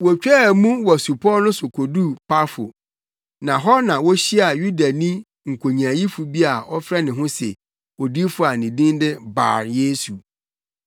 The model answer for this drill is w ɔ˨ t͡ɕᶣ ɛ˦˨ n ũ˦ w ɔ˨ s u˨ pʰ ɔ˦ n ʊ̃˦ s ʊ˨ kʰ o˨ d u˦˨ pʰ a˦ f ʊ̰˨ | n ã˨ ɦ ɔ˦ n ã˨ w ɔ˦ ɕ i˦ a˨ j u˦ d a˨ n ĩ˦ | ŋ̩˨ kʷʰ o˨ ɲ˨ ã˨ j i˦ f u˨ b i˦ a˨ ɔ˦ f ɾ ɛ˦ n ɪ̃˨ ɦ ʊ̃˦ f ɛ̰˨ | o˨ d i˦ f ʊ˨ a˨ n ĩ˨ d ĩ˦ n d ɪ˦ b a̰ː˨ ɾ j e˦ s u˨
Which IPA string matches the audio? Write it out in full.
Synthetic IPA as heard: w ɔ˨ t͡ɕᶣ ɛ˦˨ m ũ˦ w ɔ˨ s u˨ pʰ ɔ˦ n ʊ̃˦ s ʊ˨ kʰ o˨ d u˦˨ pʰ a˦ f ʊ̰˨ | n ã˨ ɦ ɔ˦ n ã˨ w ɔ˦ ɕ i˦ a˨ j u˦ d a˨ n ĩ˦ | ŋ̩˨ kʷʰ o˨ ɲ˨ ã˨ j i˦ f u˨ b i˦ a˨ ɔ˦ f ɾ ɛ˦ n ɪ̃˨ ɦ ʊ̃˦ s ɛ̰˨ | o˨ d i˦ f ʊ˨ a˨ n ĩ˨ d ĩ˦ n d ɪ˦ b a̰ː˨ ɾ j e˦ s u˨